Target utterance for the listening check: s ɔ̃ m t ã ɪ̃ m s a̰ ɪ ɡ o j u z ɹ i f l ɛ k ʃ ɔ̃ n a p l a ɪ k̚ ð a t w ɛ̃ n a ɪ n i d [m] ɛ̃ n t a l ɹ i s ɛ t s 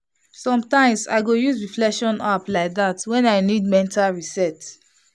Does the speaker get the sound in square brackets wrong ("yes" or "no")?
no